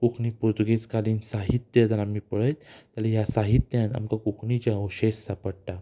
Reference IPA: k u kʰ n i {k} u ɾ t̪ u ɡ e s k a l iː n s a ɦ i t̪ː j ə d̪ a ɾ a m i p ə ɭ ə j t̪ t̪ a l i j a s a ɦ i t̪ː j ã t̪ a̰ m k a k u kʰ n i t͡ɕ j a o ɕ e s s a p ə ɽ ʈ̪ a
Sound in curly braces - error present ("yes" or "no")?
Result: yes